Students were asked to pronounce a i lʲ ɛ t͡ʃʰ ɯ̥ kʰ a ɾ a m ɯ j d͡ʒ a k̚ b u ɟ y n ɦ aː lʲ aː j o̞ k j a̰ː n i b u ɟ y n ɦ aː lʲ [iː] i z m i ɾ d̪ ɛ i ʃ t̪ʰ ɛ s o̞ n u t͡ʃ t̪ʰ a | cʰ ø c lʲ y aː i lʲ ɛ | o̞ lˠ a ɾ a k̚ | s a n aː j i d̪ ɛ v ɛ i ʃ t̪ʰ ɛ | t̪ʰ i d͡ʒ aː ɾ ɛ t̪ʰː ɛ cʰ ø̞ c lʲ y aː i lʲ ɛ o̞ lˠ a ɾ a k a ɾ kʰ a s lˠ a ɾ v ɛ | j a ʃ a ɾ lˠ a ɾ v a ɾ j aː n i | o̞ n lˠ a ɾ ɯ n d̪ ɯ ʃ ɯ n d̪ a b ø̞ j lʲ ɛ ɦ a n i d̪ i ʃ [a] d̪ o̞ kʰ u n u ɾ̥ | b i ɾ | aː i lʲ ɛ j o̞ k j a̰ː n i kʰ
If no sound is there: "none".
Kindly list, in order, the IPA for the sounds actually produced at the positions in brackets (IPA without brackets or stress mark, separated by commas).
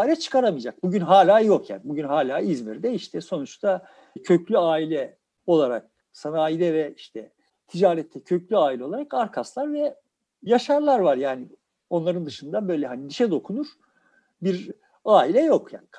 aː, ɛ